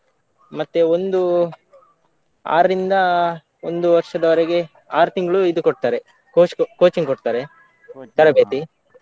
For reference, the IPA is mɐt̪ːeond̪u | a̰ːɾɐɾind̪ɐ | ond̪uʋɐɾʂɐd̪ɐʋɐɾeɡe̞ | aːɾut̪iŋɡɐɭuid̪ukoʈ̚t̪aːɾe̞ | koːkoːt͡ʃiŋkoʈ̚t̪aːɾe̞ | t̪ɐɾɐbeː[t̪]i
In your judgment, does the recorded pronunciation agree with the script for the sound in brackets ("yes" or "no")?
yes